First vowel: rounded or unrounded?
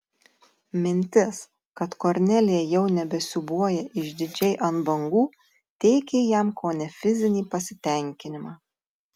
unrounded